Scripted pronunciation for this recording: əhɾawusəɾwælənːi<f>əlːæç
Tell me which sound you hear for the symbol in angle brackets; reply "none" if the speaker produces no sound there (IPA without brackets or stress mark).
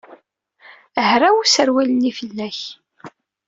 f